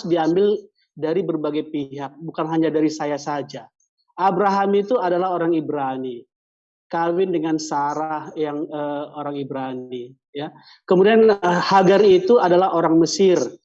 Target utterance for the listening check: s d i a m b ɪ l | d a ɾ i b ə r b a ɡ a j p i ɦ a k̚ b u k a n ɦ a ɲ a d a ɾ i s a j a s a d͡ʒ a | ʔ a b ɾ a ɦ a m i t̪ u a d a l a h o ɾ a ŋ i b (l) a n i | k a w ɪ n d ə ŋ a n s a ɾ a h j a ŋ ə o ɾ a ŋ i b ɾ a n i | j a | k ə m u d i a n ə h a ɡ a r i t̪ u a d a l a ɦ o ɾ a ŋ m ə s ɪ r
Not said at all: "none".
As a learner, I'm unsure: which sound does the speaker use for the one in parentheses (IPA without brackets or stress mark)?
ɾ